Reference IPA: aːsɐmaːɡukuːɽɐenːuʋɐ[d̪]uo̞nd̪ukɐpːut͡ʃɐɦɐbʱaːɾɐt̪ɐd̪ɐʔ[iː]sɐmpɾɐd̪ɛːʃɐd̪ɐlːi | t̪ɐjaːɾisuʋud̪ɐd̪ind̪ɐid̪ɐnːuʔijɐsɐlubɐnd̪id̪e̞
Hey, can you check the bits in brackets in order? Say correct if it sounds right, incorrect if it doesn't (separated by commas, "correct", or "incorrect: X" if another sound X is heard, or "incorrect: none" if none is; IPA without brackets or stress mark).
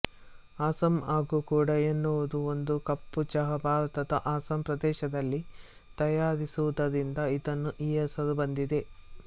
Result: correct, incorrect: aː